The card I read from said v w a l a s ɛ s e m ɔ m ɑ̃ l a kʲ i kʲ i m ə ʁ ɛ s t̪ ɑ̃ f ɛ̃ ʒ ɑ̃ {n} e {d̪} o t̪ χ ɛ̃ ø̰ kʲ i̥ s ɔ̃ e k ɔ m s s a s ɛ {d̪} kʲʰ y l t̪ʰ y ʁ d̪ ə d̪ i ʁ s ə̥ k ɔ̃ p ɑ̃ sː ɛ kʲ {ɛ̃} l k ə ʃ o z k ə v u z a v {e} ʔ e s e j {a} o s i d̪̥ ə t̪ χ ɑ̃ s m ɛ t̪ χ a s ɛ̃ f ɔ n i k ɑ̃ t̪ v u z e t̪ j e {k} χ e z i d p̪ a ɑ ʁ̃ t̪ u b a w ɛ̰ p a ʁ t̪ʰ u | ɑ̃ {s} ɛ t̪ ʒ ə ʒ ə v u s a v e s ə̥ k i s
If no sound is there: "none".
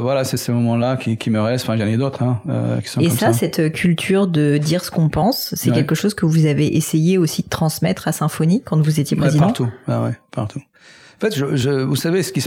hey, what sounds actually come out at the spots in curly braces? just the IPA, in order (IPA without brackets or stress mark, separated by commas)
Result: n, d̪, t̪, ɛ, e, e, p, f